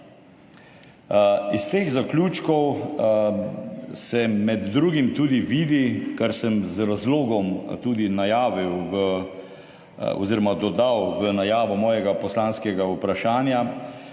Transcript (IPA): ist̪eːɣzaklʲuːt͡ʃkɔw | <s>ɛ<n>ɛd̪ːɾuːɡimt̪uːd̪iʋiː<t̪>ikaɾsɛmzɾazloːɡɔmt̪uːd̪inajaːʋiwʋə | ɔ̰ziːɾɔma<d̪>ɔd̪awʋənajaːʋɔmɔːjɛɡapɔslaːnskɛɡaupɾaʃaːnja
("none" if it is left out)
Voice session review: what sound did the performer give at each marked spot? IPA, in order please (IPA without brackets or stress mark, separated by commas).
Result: s, m, d̪, d̪